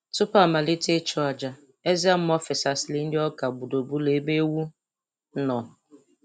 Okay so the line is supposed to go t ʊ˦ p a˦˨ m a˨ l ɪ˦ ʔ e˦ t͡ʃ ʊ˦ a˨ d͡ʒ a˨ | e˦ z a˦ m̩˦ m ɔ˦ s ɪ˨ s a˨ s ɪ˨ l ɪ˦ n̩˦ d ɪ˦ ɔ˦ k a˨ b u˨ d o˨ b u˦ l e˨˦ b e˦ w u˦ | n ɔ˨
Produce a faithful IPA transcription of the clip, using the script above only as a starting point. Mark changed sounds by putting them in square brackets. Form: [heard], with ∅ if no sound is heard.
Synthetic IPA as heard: t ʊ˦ p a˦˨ m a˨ l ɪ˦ [t] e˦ t͡ʃ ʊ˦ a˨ d͡ʒ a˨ | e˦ z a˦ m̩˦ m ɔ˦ [f] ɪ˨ s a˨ s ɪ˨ l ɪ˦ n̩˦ d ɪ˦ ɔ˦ k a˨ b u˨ d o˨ b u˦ l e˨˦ b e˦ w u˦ | n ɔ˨